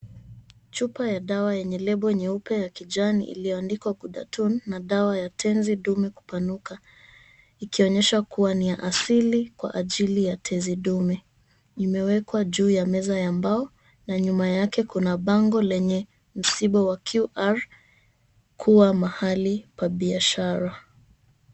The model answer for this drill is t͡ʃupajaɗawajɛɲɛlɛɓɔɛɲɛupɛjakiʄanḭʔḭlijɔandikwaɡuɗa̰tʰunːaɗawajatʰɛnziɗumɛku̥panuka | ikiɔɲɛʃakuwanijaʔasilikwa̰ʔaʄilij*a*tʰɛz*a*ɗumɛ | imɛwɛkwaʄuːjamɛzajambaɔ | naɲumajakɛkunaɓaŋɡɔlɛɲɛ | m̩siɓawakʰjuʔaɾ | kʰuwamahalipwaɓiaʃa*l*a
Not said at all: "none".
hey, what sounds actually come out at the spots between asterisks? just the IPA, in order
a, i, ɾ

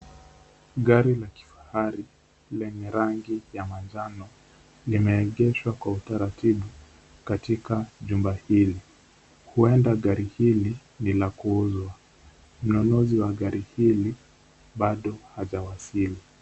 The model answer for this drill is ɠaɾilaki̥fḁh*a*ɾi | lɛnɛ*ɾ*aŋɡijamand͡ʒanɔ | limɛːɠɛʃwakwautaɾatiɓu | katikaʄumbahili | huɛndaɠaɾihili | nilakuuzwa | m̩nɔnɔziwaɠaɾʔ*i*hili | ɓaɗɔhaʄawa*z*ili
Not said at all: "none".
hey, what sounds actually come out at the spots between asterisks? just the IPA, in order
a, ɾ, i, s

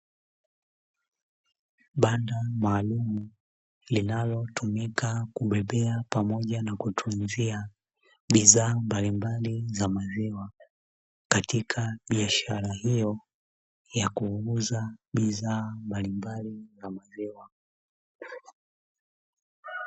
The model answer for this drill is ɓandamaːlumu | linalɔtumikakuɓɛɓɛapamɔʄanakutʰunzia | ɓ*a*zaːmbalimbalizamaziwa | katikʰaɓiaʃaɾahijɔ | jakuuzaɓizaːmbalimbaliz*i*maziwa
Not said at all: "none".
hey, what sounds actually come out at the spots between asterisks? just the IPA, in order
i, a

